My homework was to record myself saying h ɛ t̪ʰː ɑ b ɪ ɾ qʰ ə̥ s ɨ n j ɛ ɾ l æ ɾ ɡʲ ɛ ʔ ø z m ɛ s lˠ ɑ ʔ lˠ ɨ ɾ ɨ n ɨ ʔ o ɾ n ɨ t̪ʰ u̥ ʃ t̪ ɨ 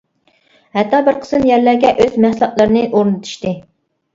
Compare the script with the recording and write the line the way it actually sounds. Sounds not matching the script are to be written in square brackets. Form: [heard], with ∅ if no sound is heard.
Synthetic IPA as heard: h ɛ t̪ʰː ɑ b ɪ ɾ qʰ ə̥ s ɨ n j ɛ ɾ l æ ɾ ɡʲ ɛ ʔ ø z m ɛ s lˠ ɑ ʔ lˠ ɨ ɾ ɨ n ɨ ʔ o ɾ n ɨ t̪ʰ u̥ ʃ t̪ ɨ